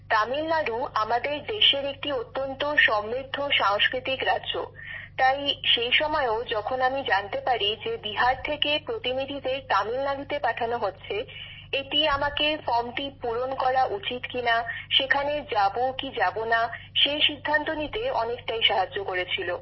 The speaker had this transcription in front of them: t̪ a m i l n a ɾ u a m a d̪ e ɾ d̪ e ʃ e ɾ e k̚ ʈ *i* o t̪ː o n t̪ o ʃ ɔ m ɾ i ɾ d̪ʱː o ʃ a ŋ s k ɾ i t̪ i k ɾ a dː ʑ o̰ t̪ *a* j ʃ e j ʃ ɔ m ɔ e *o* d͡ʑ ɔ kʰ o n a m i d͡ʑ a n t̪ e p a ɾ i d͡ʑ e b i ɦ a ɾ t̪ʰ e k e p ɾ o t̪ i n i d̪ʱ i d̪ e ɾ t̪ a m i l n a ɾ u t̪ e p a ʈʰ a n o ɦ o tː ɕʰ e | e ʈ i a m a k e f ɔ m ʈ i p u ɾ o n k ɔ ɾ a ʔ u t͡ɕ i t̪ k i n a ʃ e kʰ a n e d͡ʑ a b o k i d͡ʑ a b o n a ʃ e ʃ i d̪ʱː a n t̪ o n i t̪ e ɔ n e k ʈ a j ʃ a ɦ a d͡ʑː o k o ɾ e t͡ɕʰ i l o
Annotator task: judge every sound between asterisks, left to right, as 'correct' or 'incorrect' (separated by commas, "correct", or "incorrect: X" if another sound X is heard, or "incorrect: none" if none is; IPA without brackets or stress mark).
correct, correct, correct